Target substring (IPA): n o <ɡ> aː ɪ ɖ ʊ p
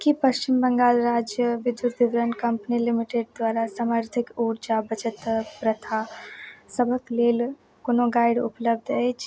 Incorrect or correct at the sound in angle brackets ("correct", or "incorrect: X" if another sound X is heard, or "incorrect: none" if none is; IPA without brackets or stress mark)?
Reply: correct